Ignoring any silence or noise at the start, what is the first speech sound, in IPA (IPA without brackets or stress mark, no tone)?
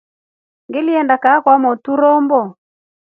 ŋ